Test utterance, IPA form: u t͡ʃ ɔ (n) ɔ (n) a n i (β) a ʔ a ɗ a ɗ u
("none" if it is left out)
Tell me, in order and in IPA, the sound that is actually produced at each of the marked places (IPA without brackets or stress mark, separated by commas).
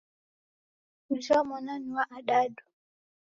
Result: m, n, w